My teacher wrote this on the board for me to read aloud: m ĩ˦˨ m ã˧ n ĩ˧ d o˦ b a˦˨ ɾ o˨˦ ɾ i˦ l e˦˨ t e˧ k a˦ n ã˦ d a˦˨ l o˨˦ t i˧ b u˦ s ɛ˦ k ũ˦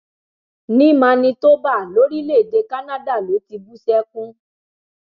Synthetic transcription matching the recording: n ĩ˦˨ m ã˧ n ĩ˧ t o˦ b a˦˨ l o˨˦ ɾ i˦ l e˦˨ d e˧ k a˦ n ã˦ d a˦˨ l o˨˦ t i˧ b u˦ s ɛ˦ k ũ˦